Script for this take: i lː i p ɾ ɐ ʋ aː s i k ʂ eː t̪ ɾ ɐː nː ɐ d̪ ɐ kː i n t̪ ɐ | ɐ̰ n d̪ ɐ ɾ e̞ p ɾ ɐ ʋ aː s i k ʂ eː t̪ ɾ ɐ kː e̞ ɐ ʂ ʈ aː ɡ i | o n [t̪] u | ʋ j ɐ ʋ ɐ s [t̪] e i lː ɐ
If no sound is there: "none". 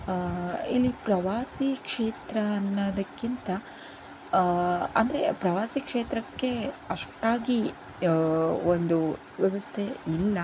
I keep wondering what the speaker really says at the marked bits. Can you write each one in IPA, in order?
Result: d̪, t̪ʰ

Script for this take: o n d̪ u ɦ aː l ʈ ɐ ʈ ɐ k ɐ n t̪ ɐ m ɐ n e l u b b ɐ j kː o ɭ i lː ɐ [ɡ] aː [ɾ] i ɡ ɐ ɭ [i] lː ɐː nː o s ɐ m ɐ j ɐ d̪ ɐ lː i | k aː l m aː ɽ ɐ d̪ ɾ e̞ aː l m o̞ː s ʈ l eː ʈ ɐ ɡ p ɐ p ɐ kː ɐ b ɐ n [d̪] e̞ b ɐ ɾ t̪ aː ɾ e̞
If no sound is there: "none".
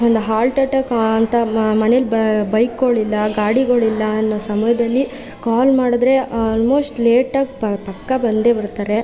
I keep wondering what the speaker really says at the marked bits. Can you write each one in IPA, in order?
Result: ɡ, ɽ, i, d̪

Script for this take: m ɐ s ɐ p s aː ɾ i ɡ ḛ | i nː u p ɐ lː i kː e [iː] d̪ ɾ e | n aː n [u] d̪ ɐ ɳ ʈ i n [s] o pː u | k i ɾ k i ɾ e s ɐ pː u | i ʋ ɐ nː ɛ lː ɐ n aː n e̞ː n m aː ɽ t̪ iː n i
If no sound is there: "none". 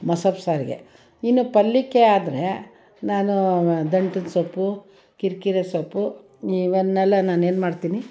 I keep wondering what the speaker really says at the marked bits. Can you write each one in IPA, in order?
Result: aː, u, s

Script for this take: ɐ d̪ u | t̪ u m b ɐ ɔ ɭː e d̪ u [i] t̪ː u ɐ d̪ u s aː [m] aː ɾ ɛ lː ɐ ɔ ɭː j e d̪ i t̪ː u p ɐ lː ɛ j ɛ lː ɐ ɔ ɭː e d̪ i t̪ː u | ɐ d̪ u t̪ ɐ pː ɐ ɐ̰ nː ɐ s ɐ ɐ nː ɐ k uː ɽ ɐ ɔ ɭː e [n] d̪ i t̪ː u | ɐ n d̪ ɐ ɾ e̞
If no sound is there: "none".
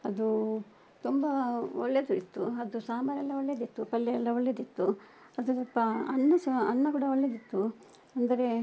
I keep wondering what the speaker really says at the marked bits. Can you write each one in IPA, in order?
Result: i, m, none

